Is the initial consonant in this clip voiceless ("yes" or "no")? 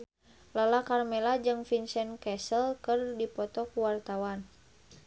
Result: no